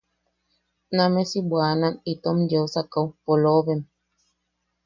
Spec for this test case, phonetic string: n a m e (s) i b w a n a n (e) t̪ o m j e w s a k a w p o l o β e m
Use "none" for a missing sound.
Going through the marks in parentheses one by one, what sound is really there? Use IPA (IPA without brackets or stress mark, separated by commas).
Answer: s, i